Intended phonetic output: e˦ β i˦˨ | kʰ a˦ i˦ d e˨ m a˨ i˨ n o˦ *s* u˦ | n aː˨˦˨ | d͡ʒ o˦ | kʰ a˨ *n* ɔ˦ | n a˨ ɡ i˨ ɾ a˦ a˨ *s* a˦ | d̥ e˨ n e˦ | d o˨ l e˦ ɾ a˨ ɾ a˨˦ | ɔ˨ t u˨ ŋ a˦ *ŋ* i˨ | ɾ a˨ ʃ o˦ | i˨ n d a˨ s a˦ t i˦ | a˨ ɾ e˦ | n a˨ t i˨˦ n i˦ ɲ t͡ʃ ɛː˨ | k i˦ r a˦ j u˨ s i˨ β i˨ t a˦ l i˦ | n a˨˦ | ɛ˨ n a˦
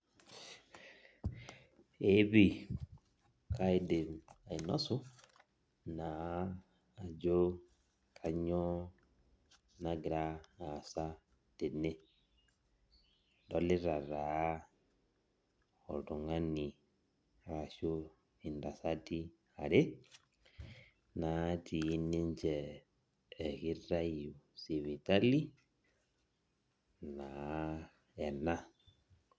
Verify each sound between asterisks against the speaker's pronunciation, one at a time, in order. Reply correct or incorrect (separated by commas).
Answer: correct, incorrect, correct, incorrect